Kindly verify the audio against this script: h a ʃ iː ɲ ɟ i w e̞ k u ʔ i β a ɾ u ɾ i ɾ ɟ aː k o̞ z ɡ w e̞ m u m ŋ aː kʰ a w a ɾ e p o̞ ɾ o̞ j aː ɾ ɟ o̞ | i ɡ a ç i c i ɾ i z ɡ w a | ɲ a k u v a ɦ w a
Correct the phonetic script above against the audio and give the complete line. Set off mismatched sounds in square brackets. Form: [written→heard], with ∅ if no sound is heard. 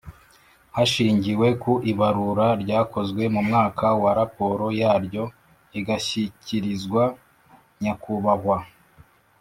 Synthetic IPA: h a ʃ iː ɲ ɟ i w e̞ k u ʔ i β a ɾ u ɾ [i→a] ɾ ɟ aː k o̞ z ɡ w e̞ m u m ŋ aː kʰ a w a ɾ [e→a] p o̞ ɾ o̞ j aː ɾ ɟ o̞ | i ɡ a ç i c i ɾ i z ɡ w a | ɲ a k u [v→β] a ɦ w a